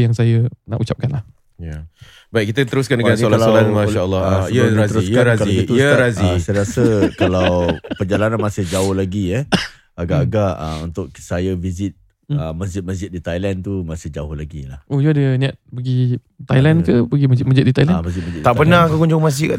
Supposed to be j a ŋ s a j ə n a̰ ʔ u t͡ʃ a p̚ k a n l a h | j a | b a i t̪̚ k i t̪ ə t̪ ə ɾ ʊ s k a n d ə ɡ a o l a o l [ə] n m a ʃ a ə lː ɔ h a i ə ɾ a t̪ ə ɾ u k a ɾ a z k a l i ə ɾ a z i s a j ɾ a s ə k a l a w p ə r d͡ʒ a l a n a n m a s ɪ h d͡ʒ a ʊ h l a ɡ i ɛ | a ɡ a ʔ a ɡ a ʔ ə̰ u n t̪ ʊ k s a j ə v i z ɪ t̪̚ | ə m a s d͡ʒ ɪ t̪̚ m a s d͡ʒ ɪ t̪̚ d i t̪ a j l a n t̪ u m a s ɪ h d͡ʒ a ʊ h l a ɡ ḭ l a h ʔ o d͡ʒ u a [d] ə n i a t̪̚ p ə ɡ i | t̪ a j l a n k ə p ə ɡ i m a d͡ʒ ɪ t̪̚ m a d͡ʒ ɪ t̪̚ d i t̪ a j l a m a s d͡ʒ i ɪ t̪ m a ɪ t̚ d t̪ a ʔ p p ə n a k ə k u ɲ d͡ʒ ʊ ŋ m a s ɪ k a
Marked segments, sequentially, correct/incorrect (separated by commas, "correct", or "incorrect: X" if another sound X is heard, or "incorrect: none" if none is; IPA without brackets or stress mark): incorrect: a, correct